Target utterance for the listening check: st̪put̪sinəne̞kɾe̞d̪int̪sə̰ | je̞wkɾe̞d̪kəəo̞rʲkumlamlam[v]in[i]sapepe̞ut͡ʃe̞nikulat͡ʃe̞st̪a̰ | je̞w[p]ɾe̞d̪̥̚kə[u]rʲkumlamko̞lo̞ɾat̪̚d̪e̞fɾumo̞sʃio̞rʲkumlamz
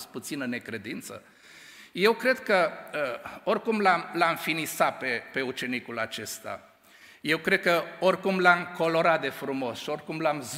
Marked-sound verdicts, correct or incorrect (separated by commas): incorrect, correct, incorrect, incorrect